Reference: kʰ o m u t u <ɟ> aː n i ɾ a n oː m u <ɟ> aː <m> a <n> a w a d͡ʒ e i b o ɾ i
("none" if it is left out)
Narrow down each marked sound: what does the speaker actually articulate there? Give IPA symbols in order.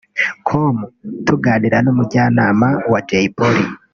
ɡ, ɟ, n, m

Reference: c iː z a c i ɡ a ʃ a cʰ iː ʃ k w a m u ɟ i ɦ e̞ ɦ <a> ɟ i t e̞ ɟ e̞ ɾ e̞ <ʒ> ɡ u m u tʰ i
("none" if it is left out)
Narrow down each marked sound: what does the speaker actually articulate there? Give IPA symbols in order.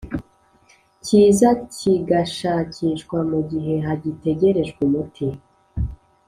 a, ʒ

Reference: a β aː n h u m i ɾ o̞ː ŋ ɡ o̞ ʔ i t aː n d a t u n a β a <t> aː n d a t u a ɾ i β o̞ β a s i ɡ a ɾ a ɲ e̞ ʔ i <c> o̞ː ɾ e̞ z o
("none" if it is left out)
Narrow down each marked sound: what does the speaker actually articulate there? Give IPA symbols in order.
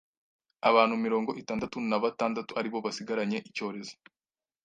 t, c

